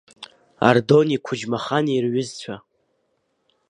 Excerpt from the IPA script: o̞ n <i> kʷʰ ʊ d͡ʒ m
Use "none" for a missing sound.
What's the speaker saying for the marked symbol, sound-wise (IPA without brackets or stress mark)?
i